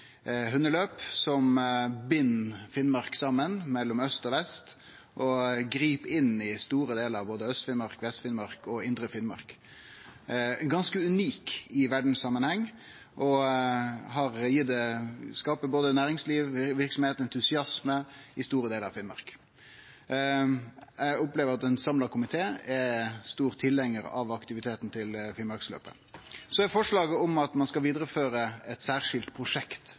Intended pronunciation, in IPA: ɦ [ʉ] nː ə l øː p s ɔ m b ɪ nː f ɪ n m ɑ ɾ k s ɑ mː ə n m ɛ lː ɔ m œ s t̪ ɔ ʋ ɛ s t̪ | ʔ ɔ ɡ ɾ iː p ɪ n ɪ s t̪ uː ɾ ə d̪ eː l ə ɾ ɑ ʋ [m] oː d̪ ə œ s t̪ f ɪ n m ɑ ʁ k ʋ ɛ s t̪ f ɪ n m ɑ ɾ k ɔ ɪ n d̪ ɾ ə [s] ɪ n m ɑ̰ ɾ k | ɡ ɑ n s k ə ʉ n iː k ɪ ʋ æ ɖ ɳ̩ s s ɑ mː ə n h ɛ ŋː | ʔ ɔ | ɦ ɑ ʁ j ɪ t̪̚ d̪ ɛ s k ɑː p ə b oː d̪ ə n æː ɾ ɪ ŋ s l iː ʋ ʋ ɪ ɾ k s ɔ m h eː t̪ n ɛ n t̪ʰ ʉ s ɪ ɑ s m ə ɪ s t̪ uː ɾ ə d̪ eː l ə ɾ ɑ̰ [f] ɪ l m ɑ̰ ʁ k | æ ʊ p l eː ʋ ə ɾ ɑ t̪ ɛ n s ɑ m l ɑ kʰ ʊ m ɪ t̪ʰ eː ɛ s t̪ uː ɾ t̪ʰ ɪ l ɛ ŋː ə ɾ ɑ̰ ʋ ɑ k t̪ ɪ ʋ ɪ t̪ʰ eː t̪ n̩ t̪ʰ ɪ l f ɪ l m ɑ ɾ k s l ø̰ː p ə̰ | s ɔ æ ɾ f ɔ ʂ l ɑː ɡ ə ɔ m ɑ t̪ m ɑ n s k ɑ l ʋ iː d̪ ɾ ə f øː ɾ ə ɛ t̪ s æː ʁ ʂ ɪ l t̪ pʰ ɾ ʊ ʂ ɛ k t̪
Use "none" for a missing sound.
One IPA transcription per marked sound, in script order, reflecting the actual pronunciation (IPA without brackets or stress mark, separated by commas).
ʉ, b, f, f